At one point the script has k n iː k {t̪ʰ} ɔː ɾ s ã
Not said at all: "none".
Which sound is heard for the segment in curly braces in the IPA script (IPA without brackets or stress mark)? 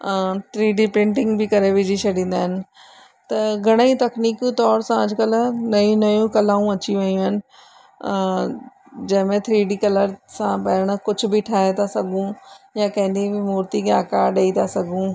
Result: t̪